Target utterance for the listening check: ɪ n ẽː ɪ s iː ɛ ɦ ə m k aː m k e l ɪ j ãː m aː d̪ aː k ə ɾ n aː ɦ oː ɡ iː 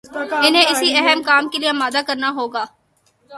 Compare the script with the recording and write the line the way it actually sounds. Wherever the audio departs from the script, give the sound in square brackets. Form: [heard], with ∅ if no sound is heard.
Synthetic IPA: ɪ n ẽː ɪ s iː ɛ ɦ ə m k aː m k e l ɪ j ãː m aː d̪ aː k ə ɾ n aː ɦ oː ɡ [aː]